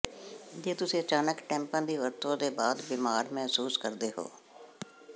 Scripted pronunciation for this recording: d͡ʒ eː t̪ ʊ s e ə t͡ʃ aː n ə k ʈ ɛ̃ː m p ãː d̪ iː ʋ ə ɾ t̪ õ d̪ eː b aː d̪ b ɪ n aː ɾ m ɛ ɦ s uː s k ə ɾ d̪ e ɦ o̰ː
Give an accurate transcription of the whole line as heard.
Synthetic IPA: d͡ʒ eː t̪ ʊ s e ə t͡ʃ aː n ə k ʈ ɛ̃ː m p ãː d̪ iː ʋ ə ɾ t̪ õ d̪ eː b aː d̪ b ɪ m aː ɾ m ɛ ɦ s uː s k ə ɾ d̪ e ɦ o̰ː